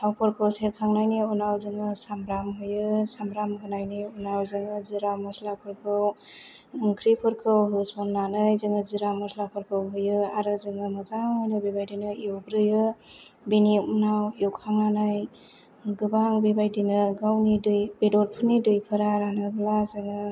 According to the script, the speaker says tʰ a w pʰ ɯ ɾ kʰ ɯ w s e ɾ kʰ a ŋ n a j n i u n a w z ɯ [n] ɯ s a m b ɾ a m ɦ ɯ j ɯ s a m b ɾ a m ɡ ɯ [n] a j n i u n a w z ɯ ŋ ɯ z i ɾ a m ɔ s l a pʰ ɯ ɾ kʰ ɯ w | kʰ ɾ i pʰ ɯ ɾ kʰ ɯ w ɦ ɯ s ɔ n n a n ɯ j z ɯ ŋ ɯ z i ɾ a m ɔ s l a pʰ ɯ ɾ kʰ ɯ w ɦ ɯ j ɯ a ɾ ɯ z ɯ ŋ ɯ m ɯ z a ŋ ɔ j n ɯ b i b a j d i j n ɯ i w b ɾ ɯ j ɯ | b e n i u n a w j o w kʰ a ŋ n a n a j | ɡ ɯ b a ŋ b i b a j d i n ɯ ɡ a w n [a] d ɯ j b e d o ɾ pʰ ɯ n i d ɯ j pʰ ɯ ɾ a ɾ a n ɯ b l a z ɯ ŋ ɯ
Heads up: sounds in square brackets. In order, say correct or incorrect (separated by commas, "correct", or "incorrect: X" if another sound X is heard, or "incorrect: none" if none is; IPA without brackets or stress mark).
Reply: incorrect: ŋ, correct, incorrect: i